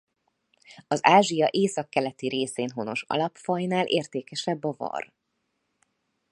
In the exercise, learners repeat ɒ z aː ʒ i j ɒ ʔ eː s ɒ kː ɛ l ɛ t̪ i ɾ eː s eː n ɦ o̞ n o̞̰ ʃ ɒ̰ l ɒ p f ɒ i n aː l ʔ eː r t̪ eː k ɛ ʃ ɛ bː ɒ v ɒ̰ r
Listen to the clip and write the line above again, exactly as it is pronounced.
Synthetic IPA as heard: ɒ z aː ʒ i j ɒ ʔ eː s ɒ kː ɛ l ɛ t̪ i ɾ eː s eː n ɦ o̞ n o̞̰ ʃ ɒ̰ l ɒ p f ɒ j n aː l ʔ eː r t̪ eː k ɛ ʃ ɛ bː ɒ v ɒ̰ r